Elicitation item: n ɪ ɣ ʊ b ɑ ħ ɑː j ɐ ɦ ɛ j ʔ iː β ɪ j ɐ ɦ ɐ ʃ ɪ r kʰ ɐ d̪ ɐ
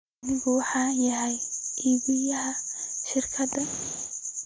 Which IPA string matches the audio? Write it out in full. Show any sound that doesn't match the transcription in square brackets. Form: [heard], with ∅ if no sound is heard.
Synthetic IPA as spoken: n ɪ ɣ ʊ [w] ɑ ħ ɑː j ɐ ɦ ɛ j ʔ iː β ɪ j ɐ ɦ ɐ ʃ ɪ r kʰ ɐ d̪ ɐ